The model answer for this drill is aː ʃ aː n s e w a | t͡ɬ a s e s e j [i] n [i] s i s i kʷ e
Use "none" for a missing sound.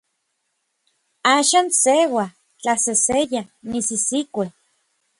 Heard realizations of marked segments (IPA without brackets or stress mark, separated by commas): a, i